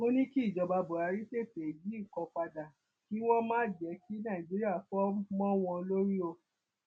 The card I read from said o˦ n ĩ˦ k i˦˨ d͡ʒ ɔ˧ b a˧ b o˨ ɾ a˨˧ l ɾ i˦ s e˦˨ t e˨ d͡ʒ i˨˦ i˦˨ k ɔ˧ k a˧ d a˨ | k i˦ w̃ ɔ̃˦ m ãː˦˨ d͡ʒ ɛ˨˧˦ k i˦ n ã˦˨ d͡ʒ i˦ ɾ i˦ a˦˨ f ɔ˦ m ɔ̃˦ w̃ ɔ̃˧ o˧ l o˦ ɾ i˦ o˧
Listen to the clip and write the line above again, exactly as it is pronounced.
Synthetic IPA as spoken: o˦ n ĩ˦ k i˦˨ d͡ʒ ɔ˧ b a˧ b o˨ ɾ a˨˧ ɾ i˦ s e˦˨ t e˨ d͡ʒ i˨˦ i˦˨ k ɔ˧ k͡p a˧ d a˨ | k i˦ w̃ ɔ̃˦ m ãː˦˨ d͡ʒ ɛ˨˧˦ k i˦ n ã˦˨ d͡ʒ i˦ ɾ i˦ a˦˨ f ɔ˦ m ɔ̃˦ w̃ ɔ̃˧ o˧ l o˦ ɾ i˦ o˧